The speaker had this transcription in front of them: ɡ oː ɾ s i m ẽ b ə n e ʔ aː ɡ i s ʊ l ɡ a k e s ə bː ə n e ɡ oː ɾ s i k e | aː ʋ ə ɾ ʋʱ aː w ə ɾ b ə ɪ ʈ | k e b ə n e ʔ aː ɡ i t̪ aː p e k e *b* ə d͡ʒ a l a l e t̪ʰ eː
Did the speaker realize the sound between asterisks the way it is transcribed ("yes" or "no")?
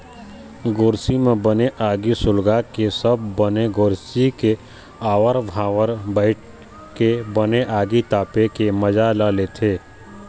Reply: no